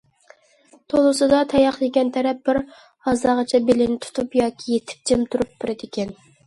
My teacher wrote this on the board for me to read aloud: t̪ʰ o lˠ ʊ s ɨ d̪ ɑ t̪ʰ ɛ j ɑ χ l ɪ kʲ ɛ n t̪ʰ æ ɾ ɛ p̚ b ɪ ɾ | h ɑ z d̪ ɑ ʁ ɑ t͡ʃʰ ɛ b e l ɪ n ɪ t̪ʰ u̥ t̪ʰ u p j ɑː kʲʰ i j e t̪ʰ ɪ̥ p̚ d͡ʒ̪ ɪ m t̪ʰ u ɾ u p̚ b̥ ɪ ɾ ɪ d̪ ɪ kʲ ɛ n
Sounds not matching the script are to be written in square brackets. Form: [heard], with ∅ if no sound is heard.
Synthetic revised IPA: t̪ʰ o lˠ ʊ s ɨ d̪ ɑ t̪ʰ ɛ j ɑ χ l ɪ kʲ ɛ n t̪ʰ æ ɾ ɛ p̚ b ɪ ɾ | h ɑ z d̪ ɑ ʁ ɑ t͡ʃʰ ɛ b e l ɪ n ɪ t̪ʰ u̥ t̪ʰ u p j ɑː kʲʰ i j e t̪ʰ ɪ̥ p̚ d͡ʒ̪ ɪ m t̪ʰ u ɾ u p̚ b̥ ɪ ɾ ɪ d̪ ɪ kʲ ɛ n